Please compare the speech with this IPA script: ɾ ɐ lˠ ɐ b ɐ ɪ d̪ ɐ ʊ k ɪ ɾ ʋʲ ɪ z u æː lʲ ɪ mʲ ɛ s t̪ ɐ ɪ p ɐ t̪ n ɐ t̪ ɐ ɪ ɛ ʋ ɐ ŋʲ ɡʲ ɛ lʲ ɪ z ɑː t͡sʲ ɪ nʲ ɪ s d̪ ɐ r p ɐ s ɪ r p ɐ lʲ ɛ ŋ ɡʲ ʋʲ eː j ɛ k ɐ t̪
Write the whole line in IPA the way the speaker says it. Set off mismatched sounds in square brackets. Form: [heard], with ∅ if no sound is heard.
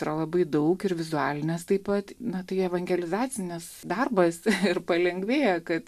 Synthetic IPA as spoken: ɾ ɐ lˠ ɐ b ɐ ɪ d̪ ɐ ʊ k ɪ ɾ ʋʲ ɪ z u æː lʲ ɪ [nʲ] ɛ s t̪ ɐ ɪ p ɐ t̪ n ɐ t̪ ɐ ɪ ɛ ʋ ɐ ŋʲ ɡʲ ɛ lʲ ɪ z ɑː t͡sʲ ɪ nʲ ɪ s d̪ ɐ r [b] ɐ s ɪ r p ɐ lʲ ɛ ŋ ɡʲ ʋʲ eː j ɛ k ɐ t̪